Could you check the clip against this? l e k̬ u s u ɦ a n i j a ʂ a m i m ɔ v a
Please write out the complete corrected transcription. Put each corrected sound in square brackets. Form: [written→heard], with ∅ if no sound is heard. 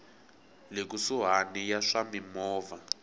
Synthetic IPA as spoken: l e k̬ u s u ɦ a n i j a ʂ a m i m [ɔ→ɔː] v a